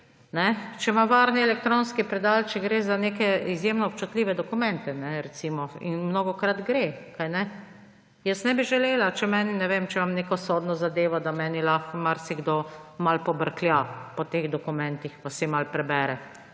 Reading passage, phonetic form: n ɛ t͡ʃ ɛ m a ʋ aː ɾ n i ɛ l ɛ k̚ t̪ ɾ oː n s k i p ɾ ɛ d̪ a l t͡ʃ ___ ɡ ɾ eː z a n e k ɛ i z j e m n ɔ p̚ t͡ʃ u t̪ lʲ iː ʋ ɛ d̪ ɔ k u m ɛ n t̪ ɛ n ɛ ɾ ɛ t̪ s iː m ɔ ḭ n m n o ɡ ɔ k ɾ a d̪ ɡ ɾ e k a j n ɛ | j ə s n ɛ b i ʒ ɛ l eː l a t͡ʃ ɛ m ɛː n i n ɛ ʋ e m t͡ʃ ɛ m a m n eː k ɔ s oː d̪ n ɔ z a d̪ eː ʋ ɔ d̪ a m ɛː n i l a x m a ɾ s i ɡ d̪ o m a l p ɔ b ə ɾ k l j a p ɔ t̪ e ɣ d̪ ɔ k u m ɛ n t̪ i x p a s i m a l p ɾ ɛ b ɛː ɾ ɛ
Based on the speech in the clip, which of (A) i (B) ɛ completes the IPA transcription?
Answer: B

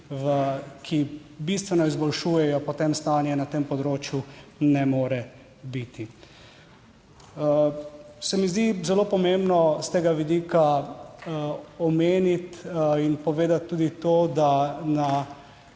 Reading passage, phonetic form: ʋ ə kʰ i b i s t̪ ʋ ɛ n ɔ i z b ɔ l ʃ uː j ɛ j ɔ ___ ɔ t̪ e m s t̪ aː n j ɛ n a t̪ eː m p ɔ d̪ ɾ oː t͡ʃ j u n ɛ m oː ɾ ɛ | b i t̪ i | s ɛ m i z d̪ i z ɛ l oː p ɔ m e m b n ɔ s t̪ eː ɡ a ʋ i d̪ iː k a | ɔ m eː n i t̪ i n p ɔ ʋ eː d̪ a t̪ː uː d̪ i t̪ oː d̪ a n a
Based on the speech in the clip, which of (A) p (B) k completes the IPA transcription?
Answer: A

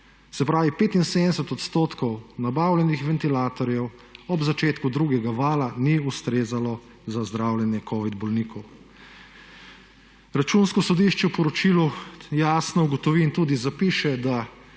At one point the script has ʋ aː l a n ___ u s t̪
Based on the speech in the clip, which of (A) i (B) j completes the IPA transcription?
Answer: A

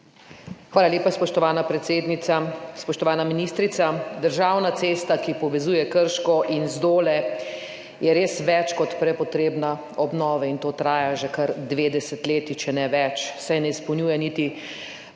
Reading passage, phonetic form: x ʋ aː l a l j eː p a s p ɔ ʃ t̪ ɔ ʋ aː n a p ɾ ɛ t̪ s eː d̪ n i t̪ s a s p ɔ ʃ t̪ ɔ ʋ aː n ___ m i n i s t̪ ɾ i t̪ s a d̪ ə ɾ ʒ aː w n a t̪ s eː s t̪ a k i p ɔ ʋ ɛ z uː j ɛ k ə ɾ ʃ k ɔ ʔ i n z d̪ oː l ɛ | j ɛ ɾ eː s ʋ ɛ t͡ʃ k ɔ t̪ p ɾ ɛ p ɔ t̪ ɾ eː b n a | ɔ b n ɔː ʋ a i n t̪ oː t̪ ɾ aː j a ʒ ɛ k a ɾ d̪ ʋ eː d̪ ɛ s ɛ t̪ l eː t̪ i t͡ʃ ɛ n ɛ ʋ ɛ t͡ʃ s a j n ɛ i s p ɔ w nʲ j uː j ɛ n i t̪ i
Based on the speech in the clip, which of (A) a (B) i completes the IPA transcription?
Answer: A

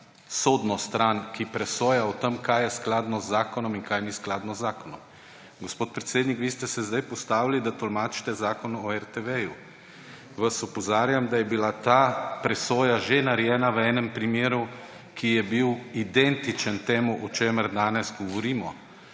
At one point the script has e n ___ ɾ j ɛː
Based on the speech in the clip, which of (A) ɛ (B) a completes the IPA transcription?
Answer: B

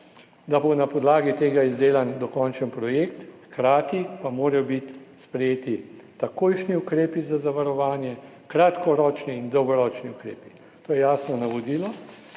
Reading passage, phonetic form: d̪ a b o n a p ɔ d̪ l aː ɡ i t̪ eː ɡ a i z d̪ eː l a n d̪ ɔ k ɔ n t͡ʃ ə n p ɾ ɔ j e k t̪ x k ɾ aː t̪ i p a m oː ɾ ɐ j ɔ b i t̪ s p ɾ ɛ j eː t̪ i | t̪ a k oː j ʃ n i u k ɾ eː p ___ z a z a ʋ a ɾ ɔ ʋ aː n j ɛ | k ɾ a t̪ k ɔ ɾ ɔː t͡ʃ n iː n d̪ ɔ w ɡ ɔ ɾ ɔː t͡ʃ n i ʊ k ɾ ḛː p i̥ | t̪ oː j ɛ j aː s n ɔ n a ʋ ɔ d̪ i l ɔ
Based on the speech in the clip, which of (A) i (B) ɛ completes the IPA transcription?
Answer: A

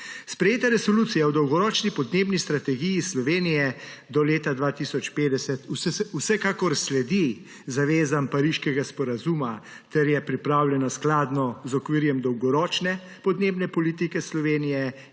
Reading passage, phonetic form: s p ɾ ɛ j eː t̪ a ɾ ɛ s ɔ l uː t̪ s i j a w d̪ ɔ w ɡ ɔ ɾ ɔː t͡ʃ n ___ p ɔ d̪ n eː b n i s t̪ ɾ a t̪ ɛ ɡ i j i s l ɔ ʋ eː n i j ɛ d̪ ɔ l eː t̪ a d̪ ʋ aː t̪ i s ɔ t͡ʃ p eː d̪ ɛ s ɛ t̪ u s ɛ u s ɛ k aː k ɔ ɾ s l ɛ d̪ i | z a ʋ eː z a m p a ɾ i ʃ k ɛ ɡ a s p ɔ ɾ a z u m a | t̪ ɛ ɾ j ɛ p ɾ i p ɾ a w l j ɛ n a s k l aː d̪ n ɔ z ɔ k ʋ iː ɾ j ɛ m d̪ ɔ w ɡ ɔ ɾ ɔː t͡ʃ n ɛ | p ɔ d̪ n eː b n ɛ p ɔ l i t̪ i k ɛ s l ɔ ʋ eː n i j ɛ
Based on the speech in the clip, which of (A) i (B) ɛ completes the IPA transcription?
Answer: A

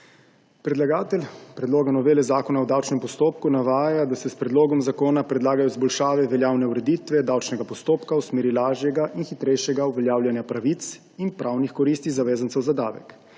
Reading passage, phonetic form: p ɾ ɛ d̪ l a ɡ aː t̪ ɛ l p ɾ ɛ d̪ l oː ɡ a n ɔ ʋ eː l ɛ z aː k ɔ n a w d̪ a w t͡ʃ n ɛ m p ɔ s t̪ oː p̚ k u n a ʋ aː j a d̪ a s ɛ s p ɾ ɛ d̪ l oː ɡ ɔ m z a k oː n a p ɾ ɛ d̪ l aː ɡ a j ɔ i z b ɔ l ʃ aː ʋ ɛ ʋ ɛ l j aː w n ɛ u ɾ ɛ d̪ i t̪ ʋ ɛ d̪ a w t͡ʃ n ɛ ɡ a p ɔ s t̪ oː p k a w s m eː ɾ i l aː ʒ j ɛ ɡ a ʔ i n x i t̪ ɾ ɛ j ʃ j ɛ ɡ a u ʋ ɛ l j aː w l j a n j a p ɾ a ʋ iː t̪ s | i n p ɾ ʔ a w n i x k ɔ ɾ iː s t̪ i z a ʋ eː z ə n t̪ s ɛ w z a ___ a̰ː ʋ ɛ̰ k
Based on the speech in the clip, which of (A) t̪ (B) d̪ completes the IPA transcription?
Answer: B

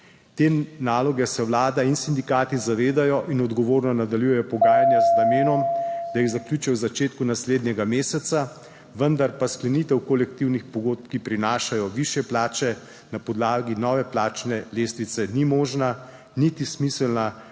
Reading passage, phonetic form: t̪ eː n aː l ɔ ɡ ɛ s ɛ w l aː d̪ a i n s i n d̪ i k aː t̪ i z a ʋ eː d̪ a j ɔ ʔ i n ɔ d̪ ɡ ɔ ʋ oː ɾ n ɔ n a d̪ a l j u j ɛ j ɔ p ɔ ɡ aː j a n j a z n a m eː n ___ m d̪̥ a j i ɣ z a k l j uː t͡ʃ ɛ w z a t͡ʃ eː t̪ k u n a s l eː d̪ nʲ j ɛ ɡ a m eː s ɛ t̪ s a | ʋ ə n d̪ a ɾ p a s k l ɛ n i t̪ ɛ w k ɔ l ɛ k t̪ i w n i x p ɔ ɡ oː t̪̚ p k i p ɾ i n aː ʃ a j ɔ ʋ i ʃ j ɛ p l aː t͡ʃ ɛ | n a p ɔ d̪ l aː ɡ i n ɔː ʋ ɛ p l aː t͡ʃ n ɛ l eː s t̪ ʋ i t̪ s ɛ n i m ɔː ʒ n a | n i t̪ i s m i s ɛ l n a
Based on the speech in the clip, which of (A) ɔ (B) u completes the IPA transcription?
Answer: A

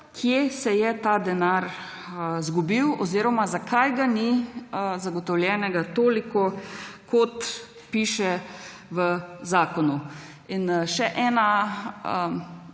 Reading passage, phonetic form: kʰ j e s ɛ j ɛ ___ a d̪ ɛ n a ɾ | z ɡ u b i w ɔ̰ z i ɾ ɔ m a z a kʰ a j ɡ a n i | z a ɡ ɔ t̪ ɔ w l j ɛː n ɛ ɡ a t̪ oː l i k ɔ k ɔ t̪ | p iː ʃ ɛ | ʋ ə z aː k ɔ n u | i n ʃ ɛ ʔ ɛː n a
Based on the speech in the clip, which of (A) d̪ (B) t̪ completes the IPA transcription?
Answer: B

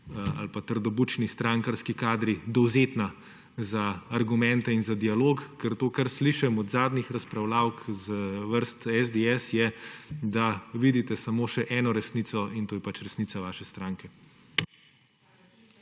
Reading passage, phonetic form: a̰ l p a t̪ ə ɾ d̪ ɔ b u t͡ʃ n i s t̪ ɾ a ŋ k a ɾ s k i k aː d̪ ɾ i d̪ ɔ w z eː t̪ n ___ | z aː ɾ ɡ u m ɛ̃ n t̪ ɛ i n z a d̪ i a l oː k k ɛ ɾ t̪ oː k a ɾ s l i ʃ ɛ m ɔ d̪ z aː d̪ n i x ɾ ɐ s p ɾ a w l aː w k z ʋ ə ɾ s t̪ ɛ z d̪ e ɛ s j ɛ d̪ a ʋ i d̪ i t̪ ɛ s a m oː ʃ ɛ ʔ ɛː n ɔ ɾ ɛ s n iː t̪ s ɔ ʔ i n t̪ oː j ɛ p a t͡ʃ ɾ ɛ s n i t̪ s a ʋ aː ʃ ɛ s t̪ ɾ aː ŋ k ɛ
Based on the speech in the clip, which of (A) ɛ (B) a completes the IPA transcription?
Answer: B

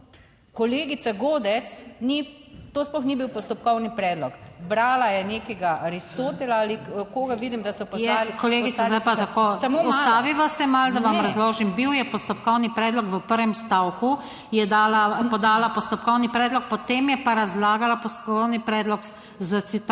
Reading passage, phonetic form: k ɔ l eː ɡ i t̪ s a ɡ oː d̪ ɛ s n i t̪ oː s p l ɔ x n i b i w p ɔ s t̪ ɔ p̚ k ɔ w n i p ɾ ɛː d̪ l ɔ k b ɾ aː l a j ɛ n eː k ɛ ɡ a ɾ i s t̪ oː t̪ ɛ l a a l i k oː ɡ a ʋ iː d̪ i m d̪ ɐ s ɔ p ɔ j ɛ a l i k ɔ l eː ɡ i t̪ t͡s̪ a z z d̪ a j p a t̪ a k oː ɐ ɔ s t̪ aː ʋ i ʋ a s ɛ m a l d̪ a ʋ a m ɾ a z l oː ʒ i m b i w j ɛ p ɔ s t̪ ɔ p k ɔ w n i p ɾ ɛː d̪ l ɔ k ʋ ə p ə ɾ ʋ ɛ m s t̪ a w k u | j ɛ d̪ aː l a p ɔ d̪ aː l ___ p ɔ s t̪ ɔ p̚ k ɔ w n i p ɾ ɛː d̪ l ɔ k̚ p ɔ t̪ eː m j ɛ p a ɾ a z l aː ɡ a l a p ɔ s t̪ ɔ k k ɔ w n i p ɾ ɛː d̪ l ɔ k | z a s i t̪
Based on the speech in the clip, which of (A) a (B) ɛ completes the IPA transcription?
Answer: A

